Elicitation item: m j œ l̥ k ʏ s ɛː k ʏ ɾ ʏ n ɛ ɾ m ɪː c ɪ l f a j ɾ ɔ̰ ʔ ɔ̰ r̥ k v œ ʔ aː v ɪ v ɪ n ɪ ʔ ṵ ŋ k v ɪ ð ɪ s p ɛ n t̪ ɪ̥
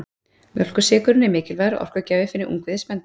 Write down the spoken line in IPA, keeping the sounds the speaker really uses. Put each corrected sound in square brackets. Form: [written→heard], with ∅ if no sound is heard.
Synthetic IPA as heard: m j œ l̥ k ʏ s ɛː k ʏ ɾ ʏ n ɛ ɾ m ɪː c ɪ l [f→v] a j ɾ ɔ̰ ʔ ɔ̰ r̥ k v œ [ʔ→c] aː v ɪ [v→f] ɪ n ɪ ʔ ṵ ŋ k v ɪ ð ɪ s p ɛ n t̪ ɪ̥